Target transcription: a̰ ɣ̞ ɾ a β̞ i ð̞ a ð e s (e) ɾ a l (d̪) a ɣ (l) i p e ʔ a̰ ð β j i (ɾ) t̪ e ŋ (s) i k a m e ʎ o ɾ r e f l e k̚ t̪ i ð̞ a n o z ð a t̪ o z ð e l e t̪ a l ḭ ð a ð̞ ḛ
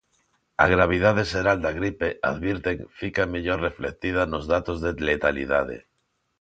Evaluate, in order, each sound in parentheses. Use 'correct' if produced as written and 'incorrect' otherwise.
correct, correct, incorrect: ɾ, correct, incorrect: f

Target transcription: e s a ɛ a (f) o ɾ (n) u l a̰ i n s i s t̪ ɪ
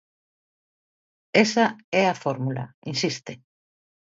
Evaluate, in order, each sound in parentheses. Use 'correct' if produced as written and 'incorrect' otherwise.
correct, incorrect: m

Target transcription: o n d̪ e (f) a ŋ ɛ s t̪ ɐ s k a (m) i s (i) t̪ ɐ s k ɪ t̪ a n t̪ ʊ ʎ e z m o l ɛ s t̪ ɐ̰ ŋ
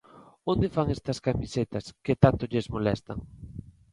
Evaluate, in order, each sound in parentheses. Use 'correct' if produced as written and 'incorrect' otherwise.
correct, correct, incorrect: e

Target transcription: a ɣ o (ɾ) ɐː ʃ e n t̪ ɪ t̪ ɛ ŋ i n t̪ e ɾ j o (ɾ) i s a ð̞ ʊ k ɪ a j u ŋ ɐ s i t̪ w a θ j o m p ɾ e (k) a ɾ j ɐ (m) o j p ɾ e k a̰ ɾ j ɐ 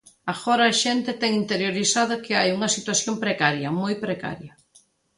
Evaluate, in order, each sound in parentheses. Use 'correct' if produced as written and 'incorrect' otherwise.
correct, correct, correct, correct

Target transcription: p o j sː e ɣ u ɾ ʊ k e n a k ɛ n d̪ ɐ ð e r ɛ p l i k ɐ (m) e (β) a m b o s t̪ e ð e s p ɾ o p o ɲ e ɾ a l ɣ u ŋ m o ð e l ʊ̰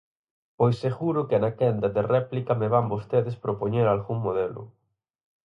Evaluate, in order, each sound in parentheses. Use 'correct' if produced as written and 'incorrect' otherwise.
correct, correct

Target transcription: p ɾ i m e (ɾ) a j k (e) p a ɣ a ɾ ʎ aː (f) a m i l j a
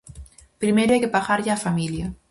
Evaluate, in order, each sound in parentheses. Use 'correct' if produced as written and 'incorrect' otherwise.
correct, correct, correct

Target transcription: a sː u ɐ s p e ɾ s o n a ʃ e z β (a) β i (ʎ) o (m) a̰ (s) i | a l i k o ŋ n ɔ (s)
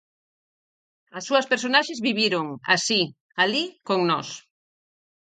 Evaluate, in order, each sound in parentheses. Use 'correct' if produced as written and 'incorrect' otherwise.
incorrect: i, incorrect: ɾ, incorrect: ŋ, correct, correct

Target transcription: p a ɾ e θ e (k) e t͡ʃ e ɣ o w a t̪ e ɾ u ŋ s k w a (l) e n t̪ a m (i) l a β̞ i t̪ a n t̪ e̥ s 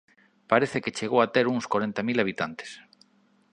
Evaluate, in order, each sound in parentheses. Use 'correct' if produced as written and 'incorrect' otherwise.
correct, incorrect: ɾ, correct

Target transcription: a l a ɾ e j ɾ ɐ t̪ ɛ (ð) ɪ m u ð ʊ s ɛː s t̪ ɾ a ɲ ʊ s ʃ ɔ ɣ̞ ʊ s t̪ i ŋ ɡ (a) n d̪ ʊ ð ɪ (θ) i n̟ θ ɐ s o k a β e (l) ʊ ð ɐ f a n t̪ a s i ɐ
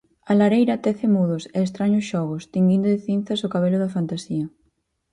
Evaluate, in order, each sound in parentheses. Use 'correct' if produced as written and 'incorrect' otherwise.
incorrect: θ, incorrect: i, correct, correct

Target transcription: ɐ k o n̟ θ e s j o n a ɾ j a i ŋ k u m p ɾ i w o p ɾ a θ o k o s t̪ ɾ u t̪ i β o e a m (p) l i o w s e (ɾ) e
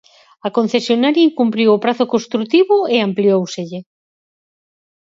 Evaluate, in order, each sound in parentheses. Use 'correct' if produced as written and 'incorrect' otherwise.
correct, incorrect: ʎ

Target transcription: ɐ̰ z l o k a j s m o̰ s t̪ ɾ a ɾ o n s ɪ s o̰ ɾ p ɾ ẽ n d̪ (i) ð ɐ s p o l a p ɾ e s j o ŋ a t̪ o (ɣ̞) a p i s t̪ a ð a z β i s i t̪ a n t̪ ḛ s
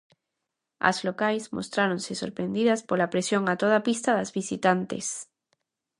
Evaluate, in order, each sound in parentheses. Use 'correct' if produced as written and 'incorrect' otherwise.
correct, incorrect: ð̞

